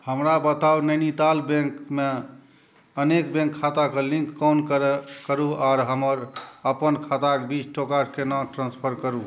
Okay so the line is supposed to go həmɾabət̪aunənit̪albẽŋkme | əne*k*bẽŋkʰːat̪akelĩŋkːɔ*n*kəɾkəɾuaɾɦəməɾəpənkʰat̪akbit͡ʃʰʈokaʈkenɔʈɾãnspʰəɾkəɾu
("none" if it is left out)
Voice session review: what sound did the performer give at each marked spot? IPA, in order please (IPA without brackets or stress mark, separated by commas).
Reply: k, n